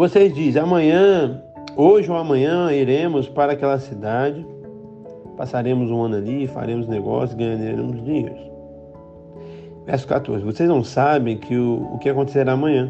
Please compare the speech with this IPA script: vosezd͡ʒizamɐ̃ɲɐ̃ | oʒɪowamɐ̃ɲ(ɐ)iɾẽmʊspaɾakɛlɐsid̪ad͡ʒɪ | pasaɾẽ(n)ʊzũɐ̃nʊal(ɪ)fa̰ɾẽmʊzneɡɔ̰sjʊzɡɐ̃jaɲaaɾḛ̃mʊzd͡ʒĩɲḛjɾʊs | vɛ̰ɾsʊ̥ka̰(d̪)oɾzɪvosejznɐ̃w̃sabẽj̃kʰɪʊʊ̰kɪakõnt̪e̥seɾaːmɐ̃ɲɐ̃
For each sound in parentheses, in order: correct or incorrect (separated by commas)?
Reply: incorrect, incorrect, incorrect, incorrect